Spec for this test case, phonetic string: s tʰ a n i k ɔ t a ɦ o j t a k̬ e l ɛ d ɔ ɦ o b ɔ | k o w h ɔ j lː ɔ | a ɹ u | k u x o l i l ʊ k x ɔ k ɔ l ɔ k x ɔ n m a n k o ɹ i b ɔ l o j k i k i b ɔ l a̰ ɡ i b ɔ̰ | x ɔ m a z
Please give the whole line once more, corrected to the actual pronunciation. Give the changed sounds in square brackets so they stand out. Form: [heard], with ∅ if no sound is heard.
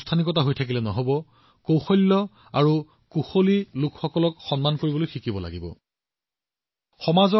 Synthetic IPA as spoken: s tʰ a n i k ɔ t a ɦ o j [tʰ] a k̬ [i] l ɛ [n] ɔ ɦ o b ɔ | k o w [x] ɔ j lː ɔ | a ɹ u | k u x o l i l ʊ k x ɔ k ɔ l ɔ k x ɔ n m a n k o ɹ i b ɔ l o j [x] i k i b ɔ l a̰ ɡ i b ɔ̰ | x ɔ m a z